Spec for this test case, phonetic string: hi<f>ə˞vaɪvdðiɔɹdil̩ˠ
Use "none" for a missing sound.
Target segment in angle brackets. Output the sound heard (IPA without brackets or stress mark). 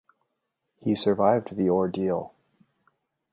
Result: s